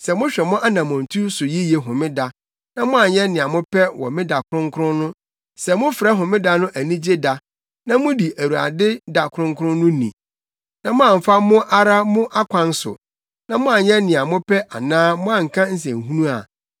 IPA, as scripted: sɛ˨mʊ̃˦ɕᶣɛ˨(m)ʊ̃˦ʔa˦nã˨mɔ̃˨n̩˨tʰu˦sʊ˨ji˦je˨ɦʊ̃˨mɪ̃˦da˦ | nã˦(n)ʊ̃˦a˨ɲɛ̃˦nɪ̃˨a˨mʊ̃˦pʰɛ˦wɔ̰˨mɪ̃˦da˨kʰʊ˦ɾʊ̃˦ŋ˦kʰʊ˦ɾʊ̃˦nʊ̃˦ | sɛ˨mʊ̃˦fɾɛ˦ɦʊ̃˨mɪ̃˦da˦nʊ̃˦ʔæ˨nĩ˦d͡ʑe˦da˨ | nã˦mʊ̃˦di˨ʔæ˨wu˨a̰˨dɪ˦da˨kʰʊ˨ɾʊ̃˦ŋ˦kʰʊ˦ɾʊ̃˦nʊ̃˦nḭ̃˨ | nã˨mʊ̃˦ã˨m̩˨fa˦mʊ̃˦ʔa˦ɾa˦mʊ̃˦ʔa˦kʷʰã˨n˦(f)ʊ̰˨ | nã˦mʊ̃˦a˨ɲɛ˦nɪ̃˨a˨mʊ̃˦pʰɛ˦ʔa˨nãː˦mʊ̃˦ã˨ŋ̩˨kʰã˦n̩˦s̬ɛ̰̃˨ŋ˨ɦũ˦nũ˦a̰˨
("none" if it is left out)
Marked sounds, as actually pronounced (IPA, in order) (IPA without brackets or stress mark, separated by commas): m, m, s